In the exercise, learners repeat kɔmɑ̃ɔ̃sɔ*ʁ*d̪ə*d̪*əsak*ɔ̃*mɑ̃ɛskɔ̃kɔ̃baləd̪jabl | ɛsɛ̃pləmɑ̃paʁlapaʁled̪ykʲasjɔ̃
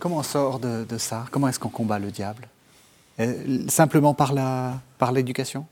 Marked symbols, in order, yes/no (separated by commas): yes, yes, no